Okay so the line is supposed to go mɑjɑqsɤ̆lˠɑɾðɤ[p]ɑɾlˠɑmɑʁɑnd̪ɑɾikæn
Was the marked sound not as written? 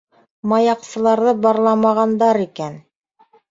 yes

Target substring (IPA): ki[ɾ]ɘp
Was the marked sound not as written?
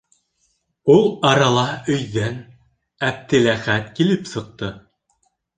yes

